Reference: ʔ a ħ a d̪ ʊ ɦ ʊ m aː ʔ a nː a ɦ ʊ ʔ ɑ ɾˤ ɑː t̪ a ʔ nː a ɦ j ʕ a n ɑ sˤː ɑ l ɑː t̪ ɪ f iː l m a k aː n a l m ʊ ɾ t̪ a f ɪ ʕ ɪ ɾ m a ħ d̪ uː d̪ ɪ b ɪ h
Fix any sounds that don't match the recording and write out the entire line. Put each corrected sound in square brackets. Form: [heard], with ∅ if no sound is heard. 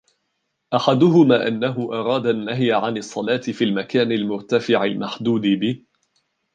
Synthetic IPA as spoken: ʔ a ħ a d̪ ʊ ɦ ʊ m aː ʔ a nː a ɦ ʊ ʔ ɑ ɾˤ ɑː [d̪] a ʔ nː a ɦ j ʕ a n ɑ sˤː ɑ l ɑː t̪ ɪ f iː l m a k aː n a l m ʊ ɾ t̪ a f ɪ ʕ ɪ [l] m a ħ d̪ uː d̪ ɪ b ɪ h